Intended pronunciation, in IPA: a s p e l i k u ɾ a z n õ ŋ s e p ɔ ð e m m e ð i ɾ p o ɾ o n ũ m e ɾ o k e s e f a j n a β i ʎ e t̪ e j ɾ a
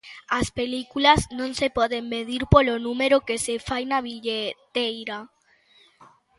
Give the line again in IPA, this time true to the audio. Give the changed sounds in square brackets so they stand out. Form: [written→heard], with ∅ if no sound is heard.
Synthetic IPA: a s p e l i k u [ɾ→l] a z n õ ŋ s e p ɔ ð e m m e ð i ɾ p o [ɾ→l] o n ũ m e ɾ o k e s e f a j n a β i ʎ e t̪ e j ɾ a